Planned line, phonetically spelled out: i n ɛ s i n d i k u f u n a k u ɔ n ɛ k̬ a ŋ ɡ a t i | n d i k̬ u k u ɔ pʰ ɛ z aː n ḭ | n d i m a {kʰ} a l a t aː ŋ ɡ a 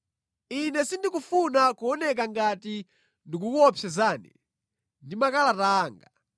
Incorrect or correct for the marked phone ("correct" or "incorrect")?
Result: incorrect